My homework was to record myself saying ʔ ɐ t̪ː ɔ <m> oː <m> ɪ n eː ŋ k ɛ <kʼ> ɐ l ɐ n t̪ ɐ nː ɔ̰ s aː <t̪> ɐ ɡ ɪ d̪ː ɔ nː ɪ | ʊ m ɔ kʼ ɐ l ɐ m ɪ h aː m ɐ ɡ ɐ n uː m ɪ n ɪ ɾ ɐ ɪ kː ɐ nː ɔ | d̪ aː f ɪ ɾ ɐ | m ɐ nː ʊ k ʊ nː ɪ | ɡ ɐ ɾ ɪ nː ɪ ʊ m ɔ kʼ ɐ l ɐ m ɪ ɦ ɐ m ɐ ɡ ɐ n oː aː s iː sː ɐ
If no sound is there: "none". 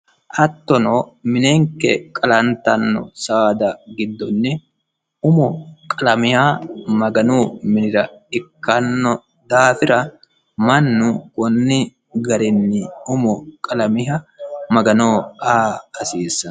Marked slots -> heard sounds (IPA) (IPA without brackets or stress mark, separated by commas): n, m, kʼ, d̪